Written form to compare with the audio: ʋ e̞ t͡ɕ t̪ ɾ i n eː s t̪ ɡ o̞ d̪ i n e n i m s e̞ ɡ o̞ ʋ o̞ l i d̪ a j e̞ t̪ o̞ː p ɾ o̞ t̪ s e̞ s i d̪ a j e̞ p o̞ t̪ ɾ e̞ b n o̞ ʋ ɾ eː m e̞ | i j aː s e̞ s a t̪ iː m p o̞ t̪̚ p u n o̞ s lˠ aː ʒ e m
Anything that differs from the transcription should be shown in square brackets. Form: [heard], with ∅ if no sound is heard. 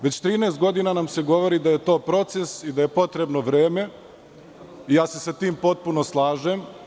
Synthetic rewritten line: ʋ e̞ t͡ɕ t̪ ɾ [iː] n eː s t̪ ɡ o̞ d̪ i n [a] n [a] m s e̞ ɡ o̞ ʋ o̞ [ɾ] i d̪ a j e̞ t̪ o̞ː p ɾ o̞ t̪ s e̞ s i d̪ a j e̞ p o̞ t̪ ɾ e̞ b n o̞ ʋ ɾ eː m e̞ | i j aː s e̞ s a t̪ iː m p o̞ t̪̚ p u n o̞ s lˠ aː ʒ e m